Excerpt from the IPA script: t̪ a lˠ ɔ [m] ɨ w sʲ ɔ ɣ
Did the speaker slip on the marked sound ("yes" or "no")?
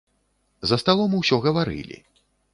no